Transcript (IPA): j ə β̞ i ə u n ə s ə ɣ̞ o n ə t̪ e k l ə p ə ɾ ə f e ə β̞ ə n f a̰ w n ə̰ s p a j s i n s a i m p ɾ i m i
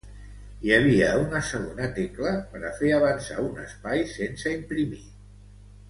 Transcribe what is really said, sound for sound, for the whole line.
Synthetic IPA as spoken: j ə β̞ i ə u n ə s ə ɣ̞ o n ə t̪ e k l ə p ə ɾ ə f e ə β̞ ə n s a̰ u n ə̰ s p a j s e n s ə i m p ɾ i m i